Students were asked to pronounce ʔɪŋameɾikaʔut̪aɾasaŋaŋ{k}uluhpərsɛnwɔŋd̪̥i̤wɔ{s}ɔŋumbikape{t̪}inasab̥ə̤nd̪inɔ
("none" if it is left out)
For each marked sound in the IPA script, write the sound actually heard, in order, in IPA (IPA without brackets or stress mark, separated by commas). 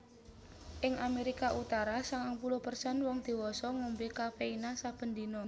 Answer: p, s, none